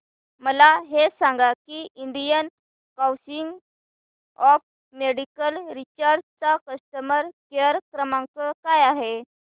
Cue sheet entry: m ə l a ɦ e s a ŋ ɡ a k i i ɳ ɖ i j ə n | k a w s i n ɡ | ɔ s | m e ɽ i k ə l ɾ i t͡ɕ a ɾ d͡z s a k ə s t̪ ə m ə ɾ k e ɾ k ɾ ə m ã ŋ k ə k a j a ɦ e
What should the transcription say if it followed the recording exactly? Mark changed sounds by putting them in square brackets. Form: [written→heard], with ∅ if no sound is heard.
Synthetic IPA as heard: m ə l a ɦ e s a ŋ ɡ a k i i ɳ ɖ i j ə n | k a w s i [n→ŋ] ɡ | ɔ [s→f] | m e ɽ i k ə l ɾ i t͡ɕ a ɾ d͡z [s→t͡s] a k ə s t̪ ə m ə ɾ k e ɾ k ɾ ə m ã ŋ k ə k a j a ɦ e